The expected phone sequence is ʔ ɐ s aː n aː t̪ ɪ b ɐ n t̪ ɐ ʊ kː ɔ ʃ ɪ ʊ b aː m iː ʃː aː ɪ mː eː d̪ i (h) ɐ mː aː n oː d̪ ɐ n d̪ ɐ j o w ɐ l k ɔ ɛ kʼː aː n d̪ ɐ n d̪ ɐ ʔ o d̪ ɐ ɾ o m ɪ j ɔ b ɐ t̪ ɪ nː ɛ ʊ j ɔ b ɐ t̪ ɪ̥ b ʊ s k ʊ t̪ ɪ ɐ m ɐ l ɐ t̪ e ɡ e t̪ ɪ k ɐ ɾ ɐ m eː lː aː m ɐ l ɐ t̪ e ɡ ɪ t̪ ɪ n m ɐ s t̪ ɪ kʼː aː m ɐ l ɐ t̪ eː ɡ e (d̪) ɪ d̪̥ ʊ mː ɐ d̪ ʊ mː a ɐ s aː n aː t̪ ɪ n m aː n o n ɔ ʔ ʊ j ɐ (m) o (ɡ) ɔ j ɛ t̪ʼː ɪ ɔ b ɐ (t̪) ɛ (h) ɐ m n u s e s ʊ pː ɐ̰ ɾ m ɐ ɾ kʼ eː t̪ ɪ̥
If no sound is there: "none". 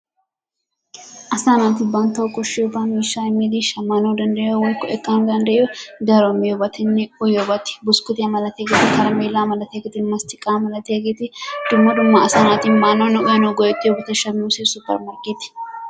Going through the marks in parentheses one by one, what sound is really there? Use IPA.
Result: ʃ, t̪, n, ɡ, t̪, ʃ

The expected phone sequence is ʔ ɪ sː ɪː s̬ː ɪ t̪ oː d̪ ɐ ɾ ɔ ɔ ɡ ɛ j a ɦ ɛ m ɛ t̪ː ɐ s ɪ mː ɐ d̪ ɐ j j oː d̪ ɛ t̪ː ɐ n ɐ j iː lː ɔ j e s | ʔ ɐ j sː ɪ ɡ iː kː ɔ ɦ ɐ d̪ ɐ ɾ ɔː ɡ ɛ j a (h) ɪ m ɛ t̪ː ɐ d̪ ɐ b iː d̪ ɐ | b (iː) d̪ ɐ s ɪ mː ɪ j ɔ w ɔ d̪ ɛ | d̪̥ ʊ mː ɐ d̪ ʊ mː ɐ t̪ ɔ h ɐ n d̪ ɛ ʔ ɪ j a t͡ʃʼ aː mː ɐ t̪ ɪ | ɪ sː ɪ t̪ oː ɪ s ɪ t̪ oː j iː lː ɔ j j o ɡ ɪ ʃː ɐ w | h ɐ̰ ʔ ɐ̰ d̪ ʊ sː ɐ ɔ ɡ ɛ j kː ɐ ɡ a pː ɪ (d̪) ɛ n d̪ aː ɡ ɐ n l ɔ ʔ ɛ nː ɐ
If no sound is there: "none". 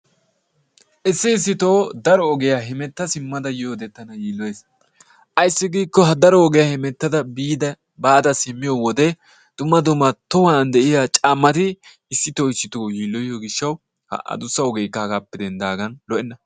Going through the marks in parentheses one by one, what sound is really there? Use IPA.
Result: h, aː, d̪

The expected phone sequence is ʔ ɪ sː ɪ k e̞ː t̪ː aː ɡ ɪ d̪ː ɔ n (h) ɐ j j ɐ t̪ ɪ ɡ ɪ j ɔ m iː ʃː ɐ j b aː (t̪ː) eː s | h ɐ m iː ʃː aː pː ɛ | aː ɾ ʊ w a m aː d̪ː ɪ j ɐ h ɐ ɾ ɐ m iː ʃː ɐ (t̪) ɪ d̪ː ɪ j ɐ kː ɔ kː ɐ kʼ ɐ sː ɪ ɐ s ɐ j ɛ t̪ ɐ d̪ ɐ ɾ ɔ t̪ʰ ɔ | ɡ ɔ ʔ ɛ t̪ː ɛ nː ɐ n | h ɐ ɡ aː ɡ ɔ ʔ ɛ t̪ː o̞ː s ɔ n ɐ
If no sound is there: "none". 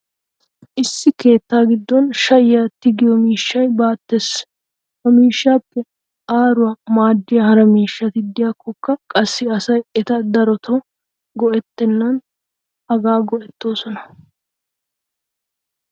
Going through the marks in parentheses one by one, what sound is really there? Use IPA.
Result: ʃ, t̪ː, t̪

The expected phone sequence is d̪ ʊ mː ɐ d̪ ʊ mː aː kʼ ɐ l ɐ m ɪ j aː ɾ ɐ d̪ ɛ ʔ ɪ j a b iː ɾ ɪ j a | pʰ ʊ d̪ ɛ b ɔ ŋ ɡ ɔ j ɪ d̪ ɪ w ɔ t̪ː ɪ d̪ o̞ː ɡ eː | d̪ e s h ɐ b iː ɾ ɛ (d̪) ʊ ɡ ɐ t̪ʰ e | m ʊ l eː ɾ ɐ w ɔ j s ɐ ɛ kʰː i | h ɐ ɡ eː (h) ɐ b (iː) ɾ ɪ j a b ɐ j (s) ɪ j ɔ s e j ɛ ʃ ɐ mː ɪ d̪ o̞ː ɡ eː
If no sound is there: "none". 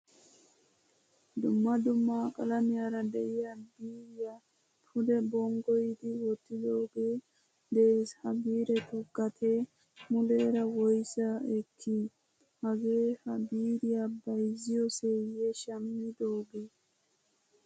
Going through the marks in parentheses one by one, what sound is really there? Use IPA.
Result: t̪, h, iː, z

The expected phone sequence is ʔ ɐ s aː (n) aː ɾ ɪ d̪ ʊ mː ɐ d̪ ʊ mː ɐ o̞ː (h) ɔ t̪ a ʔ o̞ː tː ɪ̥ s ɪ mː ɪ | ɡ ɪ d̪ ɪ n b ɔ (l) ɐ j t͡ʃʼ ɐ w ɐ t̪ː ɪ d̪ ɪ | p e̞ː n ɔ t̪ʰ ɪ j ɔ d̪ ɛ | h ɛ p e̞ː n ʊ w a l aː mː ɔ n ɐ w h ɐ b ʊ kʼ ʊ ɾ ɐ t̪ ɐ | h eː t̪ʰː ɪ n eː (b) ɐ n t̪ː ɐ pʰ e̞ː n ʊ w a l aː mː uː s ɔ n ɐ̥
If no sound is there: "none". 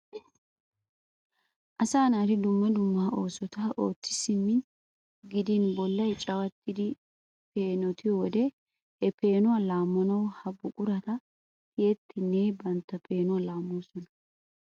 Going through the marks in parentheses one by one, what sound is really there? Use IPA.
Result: n, s, lː, b

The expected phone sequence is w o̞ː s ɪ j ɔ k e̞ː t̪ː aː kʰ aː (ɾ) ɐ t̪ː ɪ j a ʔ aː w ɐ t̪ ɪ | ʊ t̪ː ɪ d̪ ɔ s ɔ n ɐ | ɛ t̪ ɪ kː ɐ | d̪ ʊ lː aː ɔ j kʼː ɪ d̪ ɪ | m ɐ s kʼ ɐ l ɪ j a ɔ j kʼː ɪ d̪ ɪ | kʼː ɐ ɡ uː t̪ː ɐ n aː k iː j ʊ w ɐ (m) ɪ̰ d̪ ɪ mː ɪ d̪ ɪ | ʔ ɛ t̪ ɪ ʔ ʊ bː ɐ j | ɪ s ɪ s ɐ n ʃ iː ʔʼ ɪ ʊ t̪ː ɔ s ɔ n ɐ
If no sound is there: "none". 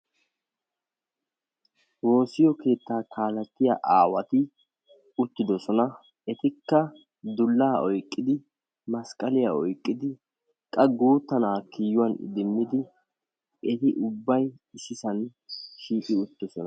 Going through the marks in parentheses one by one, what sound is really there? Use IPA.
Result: l, n

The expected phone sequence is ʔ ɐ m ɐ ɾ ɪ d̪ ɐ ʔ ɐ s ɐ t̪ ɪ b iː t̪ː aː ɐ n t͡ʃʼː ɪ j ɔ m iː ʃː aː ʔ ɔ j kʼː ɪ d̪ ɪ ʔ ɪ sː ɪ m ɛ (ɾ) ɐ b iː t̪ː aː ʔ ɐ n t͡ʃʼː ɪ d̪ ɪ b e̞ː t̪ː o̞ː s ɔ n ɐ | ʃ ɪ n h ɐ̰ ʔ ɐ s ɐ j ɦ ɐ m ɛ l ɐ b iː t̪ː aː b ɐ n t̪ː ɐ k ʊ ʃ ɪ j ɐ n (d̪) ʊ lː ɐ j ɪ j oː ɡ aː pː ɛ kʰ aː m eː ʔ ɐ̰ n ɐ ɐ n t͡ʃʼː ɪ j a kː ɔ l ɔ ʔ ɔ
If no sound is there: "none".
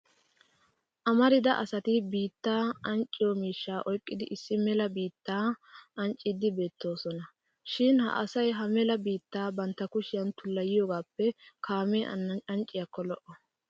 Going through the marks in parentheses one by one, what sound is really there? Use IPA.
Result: l, t̪

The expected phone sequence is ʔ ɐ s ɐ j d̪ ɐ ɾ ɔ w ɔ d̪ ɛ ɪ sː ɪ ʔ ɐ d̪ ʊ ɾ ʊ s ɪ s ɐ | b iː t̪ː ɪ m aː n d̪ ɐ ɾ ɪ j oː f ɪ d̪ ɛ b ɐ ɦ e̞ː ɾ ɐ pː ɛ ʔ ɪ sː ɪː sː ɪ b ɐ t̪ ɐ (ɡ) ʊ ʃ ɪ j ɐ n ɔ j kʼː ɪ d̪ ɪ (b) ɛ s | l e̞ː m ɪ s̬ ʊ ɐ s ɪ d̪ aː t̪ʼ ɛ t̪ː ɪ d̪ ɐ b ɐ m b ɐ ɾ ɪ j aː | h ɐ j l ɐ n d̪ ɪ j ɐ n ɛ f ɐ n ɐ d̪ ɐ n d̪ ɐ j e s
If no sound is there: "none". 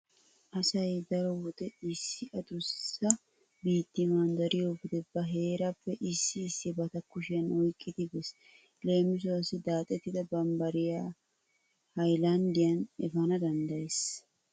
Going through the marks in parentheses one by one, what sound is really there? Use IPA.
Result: k, b

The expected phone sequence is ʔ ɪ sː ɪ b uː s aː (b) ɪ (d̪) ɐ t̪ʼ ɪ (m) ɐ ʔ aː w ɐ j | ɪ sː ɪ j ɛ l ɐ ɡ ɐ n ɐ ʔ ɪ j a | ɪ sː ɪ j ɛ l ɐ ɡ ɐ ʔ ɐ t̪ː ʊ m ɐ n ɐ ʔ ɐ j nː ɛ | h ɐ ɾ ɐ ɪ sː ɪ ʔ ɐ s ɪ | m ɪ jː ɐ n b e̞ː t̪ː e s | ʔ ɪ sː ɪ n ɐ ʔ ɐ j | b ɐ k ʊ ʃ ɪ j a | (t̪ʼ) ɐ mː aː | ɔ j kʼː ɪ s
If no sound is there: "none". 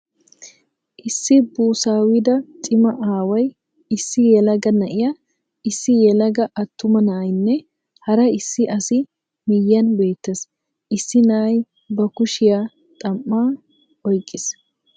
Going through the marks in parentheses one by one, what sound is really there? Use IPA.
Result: w, d̪, m, t̪ʼ

